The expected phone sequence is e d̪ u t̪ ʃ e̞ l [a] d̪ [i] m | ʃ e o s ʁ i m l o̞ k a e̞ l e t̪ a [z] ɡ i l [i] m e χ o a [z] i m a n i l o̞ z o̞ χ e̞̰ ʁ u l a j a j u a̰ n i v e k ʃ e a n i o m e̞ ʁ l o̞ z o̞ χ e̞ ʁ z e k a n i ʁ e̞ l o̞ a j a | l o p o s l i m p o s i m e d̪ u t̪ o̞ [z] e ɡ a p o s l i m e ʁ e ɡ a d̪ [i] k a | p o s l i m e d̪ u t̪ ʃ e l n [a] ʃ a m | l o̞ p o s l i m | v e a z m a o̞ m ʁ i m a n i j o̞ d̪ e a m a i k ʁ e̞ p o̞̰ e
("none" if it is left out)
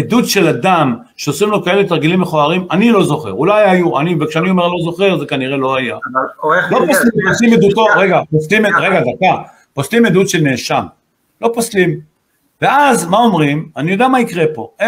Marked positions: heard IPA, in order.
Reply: a, a, ʁ, i, ʁ, ʁ, a, e

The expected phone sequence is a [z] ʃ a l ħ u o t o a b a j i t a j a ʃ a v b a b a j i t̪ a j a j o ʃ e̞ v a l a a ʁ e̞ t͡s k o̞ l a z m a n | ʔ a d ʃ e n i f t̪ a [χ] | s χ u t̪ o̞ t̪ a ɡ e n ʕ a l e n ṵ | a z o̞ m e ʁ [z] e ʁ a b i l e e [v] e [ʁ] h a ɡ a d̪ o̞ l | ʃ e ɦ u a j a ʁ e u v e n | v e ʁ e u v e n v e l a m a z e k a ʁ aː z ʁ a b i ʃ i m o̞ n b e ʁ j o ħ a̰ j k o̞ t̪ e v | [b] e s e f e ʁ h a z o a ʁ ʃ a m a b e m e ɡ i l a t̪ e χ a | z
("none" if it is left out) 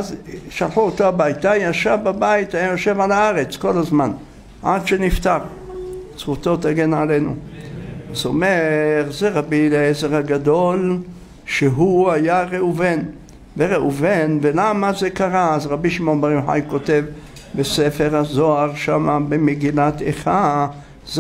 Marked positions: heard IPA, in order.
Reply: z, ʁ, z, z, ʁ, b

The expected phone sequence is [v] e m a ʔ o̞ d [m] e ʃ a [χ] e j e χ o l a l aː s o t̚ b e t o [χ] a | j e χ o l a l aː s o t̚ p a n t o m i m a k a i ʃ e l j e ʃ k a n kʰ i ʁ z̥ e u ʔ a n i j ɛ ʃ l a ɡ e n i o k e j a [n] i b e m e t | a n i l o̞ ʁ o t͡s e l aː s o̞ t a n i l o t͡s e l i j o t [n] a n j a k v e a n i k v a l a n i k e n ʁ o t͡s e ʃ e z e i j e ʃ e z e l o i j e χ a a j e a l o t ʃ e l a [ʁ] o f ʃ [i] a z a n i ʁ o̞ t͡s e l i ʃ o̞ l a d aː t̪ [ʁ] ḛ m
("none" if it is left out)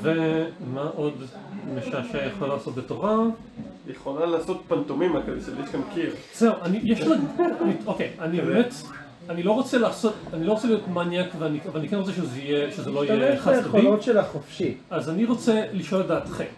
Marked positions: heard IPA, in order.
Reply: v, m, ʃ, ʁ, n, m, χ, i, χ

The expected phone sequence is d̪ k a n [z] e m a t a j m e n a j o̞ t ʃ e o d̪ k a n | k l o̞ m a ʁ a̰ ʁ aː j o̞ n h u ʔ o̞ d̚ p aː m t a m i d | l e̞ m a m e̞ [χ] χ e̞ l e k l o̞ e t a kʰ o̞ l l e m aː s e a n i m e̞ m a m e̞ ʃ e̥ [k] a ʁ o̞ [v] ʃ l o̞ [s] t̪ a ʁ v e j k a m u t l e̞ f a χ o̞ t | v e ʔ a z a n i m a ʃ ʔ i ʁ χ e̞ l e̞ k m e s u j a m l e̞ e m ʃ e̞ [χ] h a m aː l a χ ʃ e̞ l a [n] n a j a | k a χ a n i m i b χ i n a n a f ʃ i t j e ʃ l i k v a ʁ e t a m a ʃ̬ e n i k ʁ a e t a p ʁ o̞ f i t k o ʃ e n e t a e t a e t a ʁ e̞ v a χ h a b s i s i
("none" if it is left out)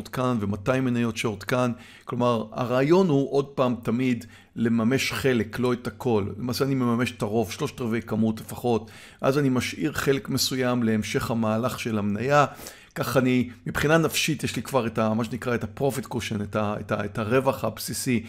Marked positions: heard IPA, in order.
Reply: v, ʃ, t, v, ʃ, χ, m

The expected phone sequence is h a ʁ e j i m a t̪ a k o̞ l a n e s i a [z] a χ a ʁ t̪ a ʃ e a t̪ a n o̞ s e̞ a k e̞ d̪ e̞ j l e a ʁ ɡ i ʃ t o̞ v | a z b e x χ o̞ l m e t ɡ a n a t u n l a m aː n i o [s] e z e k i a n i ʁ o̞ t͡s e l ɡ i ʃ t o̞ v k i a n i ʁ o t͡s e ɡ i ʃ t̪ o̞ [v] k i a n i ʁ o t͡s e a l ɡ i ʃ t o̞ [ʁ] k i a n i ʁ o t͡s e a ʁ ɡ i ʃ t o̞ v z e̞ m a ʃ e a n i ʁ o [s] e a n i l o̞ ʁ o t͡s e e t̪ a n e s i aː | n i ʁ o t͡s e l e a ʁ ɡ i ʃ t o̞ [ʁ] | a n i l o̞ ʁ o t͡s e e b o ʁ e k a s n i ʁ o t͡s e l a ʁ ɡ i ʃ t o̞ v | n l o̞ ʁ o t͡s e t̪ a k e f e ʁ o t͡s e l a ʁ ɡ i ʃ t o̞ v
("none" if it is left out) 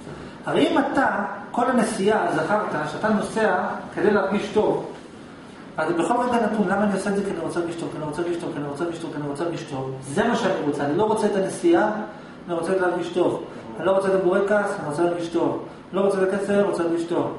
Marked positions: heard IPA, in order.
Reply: z, s, v, v, t͡s, v

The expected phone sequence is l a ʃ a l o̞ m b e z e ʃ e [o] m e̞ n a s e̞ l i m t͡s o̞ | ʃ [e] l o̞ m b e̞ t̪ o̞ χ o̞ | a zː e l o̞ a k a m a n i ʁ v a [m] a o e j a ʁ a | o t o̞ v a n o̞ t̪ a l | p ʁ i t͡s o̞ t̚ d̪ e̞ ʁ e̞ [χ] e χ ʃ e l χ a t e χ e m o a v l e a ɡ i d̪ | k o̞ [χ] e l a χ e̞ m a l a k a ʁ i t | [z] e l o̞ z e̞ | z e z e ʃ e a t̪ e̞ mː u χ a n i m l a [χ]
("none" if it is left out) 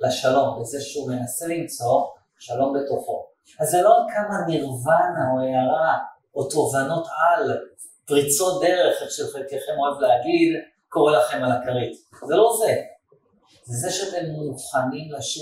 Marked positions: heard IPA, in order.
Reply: u, a, n, χ, ʁ, z, ʃ

